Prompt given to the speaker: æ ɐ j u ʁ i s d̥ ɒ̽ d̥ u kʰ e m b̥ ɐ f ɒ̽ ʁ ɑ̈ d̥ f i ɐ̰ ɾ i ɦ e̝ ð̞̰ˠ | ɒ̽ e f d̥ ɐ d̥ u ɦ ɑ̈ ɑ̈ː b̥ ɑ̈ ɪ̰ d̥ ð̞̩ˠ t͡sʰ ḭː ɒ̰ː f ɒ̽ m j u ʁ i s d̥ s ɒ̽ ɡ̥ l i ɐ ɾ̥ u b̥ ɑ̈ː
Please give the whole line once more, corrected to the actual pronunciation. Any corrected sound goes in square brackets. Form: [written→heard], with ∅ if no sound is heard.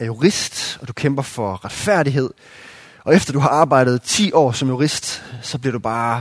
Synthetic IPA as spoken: æ ɐ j u ʁ i s d̥ ɒ̽ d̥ u kʰ e m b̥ ɐ f ɒ̽ ʁ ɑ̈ d̥ f [i→æ] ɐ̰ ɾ i ɦ e̝ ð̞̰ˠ | ɒ̽ e f d̥ ɐ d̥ u ɦ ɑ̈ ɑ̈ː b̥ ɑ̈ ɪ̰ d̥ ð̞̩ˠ t͡sʰ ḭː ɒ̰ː [f→s] ɒ̽ m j u ʁ i s d̥ s ɒ̽ [ɡ̥→b̥] l i ɐ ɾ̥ u b̥ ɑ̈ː